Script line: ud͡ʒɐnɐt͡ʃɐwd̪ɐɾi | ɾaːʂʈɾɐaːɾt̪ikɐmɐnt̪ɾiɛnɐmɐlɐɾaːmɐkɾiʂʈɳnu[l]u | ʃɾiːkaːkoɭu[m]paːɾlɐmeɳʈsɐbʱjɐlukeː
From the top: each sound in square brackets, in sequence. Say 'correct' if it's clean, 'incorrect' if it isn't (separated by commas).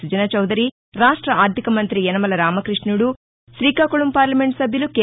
incorrect, correct